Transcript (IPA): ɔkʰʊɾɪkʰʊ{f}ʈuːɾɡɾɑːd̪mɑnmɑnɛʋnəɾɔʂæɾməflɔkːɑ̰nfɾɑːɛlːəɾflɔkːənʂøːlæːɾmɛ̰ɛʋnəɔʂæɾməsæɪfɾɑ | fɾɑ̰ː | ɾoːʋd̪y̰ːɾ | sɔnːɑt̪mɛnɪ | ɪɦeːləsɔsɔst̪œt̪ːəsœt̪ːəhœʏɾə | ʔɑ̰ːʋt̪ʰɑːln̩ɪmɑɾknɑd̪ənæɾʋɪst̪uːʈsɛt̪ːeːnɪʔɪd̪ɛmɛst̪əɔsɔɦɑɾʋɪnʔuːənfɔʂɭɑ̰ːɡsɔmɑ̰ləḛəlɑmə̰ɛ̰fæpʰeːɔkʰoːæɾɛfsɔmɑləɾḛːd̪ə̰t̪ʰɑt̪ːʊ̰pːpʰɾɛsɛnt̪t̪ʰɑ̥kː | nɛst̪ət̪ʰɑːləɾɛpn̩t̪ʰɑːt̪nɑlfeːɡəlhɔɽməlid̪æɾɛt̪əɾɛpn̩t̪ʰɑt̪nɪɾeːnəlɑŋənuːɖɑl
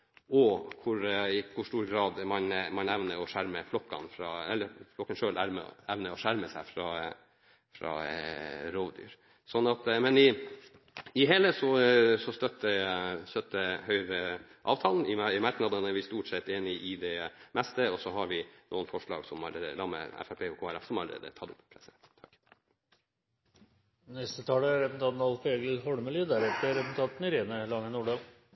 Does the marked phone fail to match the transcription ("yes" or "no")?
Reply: yes